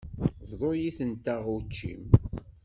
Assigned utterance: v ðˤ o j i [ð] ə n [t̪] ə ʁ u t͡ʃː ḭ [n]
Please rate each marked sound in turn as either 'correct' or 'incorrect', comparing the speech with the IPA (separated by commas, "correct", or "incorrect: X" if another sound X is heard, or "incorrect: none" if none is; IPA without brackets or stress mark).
incorrect: θ, correct, incorrect: m